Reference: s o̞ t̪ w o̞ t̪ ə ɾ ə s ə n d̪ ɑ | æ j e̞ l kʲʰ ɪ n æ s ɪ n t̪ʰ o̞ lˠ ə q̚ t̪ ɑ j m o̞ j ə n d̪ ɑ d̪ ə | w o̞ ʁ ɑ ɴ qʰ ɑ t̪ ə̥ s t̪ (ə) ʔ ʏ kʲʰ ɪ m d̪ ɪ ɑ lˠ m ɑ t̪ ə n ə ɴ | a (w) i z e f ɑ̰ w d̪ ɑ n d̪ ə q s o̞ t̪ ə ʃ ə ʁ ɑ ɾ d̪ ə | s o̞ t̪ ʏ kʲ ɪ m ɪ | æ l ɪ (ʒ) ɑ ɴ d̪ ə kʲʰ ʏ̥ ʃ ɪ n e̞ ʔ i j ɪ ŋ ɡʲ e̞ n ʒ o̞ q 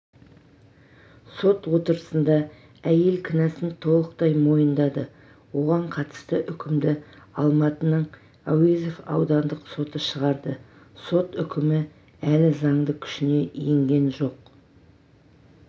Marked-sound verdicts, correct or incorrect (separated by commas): correct, correct, incorrect